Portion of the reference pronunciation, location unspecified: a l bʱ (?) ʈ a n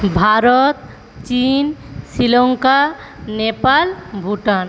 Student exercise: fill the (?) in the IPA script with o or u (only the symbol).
u